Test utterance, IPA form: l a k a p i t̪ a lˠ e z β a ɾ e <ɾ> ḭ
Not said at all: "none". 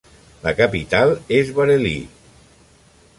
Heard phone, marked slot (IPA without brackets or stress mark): l